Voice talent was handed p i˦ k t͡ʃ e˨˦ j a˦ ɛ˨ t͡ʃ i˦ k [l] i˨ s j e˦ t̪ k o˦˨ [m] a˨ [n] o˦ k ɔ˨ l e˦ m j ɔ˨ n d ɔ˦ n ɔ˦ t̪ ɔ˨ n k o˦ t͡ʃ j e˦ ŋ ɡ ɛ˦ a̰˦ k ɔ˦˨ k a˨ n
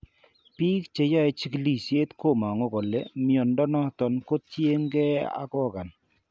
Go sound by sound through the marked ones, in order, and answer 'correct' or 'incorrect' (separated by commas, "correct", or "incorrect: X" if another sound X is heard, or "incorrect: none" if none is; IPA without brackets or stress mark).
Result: correct, correct, incorrect: ŋ